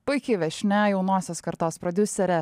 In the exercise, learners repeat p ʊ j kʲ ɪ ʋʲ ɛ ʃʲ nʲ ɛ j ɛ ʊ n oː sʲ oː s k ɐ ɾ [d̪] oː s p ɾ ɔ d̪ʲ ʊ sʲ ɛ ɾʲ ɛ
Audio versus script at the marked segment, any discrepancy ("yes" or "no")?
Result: yes